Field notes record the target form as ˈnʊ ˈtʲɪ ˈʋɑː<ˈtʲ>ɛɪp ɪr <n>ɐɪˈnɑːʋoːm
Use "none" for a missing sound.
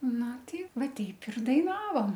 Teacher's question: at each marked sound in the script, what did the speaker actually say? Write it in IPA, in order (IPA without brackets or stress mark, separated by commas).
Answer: tʲ, d